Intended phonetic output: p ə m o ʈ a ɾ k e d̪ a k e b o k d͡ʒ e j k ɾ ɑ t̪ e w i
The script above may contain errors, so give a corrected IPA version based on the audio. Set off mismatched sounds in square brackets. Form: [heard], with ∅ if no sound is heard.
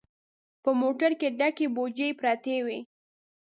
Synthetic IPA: p ə m o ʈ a ɾ k e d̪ a k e b o [∅] d͡ʒ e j [p] ɾ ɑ t̪ e w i